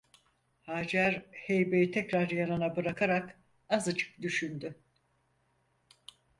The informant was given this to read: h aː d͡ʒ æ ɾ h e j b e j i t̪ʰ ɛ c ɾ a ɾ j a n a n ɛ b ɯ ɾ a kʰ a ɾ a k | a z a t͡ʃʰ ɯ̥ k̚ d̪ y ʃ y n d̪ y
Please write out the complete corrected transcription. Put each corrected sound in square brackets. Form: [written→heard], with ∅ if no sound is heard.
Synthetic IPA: h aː d͡ʒ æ ɾ h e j b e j i t̪ʰ ɛ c ɾ a ɾ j a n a n [ɛ→a] b ɯ ɾ a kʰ a ɾ a k | a z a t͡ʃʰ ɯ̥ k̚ d̪ y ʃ y n d̪ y

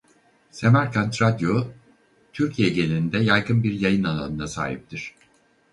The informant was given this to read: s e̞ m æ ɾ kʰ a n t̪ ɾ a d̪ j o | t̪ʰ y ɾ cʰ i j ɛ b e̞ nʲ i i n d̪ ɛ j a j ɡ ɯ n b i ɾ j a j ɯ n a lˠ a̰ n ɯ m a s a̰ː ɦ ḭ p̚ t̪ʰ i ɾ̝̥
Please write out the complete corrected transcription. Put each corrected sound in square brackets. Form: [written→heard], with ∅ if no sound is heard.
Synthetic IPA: s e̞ m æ ɾ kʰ a n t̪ ɾ a d̪ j o | t̪ʰ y ɾ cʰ i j ɛ [b→ɟ] e̞ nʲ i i n d̪ ɛ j a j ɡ ɯ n b i ɾ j a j ɯ n a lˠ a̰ n ɯ [m→n] a s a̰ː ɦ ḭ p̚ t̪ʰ i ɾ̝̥

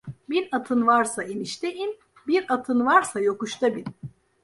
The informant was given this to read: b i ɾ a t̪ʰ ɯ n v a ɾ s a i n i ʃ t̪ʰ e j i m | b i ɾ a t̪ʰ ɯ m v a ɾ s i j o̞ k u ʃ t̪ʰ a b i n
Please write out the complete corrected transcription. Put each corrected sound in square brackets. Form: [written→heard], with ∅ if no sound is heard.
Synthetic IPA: b i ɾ a t̪ʰ ɯ n v a ɾ s a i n i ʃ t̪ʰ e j i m | b i ɾ a t̪ʰ ɯ [m→n] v a ɾ s [i→a] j o̞ k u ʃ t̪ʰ a b i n

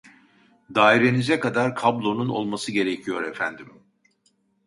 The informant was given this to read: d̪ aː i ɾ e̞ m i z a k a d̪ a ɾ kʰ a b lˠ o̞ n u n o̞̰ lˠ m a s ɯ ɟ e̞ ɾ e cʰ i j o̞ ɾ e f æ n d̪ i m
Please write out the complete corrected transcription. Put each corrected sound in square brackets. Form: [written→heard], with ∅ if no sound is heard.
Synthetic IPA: d̪ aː i ɾ e̞ [m→n] i z [a→ɛ] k a d̪ a ɾ kʰ a b lˠ o̞ n u n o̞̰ lˠ m a s ɯ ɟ e̞ ɾ e cʰ i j o̞ ɾ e f æ n d̪ i m

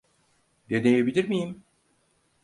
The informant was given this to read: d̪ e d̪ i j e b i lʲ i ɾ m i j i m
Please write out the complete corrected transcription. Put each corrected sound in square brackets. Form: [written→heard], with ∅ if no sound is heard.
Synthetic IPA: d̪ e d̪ [i→e] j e b i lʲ i ɾ m i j i m

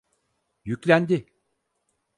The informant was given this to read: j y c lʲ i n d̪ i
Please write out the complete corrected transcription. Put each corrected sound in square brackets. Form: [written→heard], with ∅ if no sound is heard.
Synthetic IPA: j y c lʲ [i→æ] n d̪ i

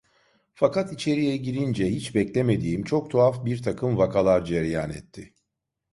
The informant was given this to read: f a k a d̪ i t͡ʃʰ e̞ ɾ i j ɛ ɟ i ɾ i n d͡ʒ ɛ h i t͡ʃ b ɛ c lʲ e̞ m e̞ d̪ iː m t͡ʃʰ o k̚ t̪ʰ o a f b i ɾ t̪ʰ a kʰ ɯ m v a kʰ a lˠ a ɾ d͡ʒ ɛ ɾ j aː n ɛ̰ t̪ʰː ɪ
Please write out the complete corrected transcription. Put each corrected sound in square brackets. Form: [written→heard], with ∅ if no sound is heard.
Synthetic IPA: f a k a [d̪→t̪] i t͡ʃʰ e̞ ɾ i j ɛ ɟ i ɾ i n d͡ʒ ɛ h i t͡ʃ b ɛ c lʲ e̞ m e̞ d̪ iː m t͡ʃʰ o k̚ t̪ʰ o a f b i ɾ t̪ʰ a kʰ ɯ m v a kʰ a lˠ a ɾ d͡ʒ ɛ ɾ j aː n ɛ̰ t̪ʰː ɪ

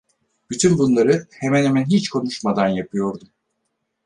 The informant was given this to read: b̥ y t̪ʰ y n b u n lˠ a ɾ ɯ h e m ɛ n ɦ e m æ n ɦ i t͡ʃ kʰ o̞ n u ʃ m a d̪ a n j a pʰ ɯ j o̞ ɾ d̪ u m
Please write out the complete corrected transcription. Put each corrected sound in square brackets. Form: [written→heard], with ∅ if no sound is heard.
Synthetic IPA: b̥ y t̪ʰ y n b u n lˠ a ɾ ɯ h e m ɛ n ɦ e m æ n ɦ i t͡ʃ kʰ o̞ n u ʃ m a d̪ a n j a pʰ ɯ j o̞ ɾ d̪ u m

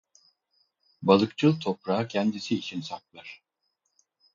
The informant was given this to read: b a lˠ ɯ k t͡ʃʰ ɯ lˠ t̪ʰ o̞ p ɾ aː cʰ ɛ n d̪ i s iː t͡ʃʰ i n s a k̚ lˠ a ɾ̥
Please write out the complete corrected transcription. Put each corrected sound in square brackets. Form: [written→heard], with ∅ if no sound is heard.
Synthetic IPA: b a lˠ ɯ k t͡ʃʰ ɯ lˠ t̪ʰ o̞ p ɾ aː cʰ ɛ n d̪ i s iː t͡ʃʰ i n s a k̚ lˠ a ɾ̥

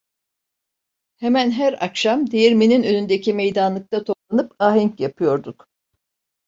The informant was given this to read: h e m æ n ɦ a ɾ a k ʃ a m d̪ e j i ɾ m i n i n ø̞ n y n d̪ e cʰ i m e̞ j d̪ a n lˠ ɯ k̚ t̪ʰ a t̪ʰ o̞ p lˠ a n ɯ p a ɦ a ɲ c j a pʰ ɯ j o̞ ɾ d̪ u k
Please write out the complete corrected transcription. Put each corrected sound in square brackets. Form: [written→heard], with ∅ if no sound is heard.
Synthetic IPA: h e m æ n ɦ [a→æ] ɾ a k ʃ a m d̪ e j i ɾ m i n i n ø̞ n y n d̪ e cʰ i m e̞ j d̪ a n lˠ ɯ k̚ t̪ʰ a t̪ʰ o̞ p lˠ a n ɯ p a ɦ [a→i] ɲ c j a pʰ ɯ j o̞ ɾ d̪ u k

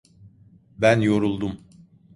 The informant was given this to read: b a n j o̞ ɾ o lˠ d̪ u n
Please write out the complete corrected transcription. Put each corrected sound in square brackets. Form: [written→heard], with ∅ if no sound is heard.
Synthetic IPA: b [a→æ] n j o̞ ɾ [o→u] lˠ d̪ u [n→m]

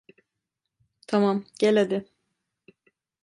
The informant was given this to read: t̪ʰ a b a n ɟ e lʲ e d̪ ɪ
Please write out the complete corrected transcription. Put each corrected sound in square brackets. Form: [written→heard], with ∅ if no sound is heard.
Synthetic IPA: t̪ʰ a [b→m] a [n→m] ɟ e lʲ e d̪ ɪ

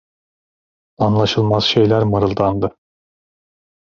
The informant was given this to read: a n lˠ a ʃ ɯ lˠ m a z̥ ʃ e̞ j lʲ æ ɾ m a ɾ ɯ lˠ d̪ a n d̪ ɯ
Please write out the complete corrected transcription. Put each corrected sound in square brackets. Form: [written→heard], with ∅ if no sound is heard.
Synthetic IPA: a n lˠ a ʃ ɯ lˠ m a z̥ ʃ e̞ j lʲ æ ɾ m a ɾ ɯ lˠ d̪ a n d̪ ɯ

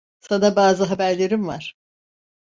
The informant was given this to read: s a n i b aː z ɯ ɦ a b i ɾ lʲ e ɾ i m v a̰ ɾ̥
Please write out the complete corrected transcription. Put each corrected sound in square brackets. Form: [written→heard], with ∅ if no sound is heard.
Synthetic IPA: s a n [i→a] b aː z ɯ ɦ a b [i→æ] ɾ lʲ e ɾ i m v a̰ ɾ̥

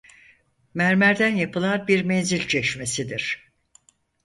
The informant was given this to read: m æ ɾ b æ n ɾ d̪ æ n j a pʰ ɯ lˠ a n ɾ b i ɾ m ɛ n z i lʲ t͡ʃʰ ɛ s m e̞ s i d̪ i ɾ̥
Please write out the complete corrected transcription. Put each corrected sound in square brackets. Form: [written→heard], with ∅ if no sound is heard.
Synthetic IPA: m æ ɾ [b→m] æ [n→∅] ɾ d̪ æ n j a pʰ ɯ lˠ a n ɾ b i ɾ m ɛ n z i lʲ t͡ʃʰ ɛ [s→ʃ] m e̞ s i d̪ i ɾ̥

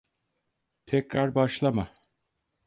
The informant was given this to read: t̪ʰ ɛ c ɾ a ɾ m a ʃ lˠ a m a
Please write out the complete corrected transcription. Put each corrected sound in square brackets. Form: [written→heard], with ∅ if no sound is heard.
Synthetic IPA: t̪ʰ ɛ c ɾ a ɾ [m→b] a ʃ lˠ a m a

